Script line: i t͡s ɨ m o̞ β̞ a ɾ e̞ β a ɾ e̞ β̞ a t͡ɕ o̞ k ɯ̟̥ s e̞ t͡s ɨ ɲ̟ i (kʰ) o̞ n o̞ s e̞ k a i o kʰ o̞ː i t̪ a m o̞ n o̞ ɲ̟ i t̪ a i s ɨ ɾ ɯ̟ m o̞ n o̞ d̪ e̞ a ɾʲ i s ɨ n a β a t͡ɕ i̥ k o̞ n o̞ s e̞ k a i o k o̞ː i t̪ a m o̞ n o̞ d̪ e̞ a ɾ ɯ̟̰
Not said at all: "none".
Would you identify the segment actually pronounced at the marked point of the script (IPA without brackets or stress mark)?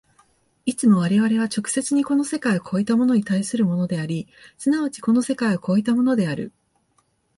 k